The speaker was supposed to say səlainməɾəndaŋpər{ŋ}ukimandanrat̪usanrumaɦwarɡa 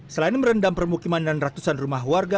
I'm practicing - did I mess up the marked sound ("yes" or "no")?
yes